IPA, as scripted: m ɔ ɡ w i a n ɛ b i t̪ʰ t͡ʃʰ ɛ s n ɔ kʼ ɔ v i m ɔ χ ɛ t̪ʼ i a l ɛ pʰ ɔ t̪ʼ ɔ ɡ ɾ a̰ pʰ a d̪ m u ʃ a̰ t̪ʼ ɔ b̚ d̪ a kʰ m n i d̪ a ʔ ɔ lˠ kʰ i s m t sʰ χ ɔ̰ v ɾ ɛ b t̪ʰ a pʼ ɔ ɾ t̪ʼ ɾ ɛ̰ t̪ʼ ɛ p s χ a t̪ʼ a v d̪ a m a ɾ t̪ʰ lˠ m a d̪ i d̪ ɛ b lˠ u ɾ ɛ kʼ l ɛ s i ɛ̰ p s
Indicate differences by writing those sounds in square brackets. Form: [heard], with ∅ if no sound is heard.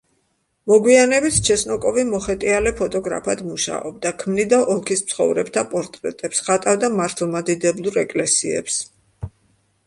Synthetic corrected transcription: m ɔ ɡ w i a n ɛ b i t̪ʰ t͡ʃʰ ɛ s n ɔ kʼ ɔ v i m ɔ χ ɛ t̪ʼ i a l ɛ pʰ ɔ t̪ʼ ɔ ɡ ɾ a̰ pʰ a d̪ m u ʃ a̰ [∅] ɔ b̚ d̪ a kʰ m n i d̪ a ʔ ɔ lˠ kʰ i s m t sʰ χ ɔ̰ v ɾ ɛ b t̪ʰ a pʼ ɔ ɾ t̪ʼ ɾ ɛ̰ t̪ʼ ɛ p s χ a t̪ʼ a v d̪ a m a ɾ t̪ʰ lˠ m a d̪ i d̪ ɛ b lˠ u ɾ ɛ kʼ l ɛ s i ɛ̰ p s

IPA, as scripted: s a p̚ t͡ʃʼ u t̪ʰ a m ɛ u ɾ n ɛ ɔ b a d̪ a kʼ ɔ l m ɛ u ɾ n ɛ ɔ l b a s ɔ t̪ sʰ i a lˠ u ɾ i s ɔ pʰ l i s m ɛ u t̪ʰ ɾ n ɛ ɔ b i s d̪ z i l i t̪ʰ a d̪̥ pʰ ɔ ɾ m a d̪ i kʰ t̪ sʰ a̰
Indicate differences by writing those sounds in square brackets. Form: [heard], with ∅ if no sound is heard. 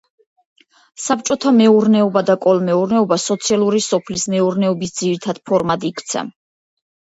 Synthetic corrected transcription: s a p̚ t͡ʃʼ [ɔ] t̪ʰ a m ɛ u ɾ n ɛ ɔ b a d̪ a kʼ ɔ l m ɛ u ɾ n ɛ ɔ [∅] b a s ɔ t̪ sʰ i a lˠ u ɾ i s ɔ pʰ l i s m ɛ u [∅] ɾ n ɛ ɔ b i s d̪ z i [ɾ] i t̪ʰ a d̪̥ pʰ ɔ ɾ m a d̪ i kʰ t̪ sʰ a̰

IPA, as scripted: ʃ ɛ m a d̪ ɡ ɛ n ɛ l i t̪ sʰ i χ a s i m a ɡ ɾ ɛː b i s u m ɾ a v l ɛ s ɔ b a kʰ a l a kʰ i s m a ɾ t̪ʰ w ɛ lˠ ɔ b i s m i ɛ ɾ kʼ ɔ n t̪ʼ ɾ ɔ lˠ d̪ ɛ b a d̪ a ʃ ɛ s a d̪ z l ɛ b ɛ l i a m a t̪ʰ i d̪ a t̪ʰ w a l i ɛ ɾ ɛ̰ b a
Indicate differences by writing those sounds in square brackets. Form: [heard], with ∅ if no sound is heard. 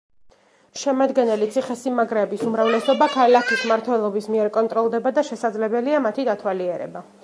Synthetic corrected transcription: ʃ ɛ m a d̪ ɡ ɛ n ɛ l i t̪ sʰ i χ [ɛ] s i m a ɡ ɾ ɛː b i s u m ɾ a v l ɛ s ɔ b a kʰ a l a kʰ i s m a ɾ t̪ʰ w ɛ lˠ ɔ b i s m i ɛ ɾ kʼ ɔ n t̪ʼ ɾ ɔ lˠ d̪ ɛ b a d̪ a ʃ ɛ s a d̪ z l ɛ b ɛ l i a m a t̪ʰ i d̪ a t̪ʰ w a l i ɛ ɾ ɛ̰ b a

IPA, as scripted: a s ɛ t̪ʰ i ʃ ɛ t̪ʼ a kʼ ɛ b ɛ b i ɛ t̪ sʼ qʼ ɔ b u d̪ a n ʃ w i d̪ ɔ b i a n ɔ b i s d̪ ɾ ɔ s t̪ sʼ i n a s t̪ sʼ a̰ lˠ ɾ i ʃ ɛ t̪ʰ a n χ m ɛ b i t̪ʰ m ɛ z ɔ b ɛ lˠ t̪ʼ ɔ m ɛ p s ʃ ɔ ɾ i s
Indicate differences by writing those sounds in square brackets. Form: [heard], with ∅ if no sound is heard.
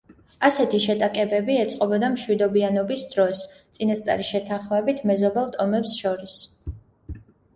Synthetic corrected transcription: a s ɛ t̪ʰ i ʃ ɛ t̪ʼ a kʼ ɛ b ɛ b i ɛ t̪ sʼ qʼ ɔ b [ɔ] d̪ a [m] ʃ w i d̪ ɔ b i a n ɔ b i s d̪ ɾ ɔ s t̪ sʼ i n a s t̪ sʼ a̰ [∅] ɾ i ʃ ɛ t̪ʰ a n χ m ɛ b i t̪ʰ m ɛ z ɔ b ɛ lˠ t̪ʼ ɔ m ɛ p s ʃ ɔ ɾ i s

